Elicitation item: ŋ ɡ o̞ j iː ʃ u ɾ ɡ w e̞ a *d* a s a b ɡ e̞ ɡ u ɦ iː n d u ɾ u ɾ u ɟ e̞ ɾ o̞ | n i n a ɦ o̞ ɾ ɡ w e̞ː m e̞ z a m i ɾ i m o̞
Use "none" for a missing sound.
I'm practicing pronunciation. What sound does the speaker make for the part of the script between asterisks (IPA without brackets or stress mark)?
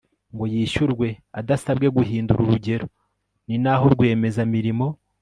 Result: d